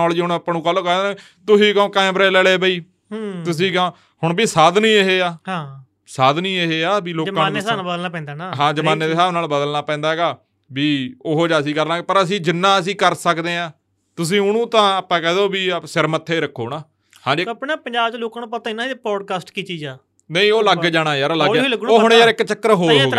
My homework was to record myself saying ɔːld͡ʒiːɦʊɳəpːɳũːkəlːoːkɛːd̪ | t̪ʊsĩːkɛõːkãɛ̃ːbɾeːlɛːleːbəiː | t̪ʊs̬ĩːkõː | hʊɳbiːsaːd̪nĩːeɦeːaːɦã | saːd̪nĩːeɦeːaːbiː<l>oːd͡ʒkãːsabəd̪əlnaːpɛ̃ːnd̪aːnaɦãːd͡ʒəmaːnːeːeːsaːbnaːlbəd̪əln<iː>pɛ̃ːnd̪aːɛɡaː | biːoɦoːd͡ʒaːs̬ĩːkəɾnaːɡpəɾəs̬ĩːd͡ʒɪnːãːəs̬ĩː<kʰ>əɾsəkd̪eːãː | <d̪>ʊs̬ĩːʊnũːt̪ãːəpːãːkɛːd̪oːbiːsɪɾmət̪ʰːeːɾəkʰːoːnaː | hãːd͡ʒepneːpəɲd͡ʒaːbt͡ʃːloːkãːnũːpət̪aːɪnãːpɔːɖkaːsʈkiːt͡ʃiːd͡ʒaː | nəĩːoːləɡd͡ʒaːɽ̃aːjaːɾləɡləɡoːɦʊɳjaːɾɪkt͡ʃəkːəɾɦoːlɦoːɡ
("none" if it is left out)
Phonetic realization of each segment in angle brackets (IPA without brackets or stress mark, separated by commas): l, aː, k, t̪